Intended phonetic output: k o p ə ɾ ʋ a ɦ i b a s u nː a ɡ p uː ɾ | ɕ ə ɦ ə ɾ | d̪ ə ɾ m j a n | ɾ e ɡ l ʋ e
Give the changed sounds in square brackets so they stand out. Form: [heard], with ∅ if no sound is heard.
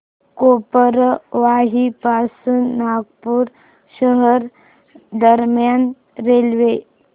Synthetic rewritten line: k o p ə ɾ ʋ a ɦ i [p] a s u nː a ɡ p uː ɾ | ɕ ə ɦ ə ɾ | d̪ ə ɾ m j a n | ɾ e [∅] l ʋ e